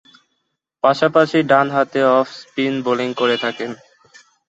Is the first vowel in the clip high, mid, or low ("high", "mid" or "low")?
low